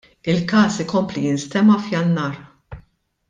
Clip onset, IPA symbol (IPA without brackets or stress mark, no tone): ɪ